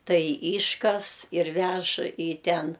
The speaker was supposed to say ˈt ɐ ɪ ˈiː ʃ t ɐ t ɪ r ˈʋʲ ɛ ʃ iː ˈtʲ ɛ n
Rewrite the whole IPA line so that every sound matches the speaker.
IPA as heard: ˈt ɐ ɪ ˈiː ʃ k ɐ s ɪ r ˈʋʲ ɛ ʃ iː ˈtʲ ɛ n